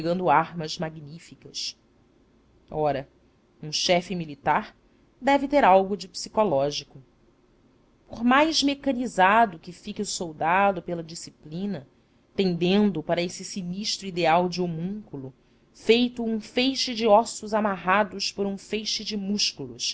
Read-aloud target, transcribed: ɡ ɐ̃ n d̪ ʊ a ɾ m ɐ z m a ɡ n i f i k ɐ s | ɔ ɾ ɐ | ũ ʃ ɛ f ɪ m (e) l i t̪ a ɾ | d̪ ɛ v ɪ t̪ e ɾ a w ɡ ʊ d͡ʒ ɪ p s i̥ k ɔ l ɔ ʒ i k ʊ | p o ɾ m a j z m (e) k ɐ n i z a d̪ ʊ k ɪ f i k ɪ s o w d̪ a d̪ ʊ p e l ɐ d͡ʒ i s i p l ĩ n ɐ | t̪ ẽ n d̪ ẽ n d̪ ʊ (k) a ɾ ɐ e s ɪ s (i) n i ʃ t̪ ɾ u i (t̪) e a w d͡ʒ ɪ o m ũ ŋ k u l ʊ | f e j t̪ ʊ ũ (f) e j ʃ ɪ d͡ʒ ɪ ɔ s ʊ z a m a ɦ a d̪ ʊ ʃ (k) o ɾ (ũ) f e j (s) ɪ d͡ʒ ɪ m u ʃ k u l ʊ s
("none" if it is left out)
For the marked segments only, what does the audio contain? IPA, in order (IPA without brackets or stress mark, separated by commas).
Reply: i, e, p, i, d̪, f, p, ũ, ʃ